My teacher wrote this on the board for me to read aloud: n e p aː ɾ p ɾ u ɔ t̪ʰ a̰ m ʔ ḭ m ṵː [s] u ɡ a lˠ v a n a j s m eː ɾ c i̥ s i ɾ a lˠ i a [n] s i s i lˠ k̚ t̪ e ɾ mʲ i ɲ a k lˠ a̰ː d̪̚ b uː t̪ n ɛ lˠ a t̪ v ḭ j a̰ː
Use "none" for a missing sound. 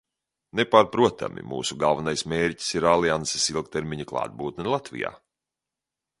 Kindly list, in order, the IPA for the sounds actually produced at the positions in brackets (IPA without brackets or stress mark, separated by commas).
s, n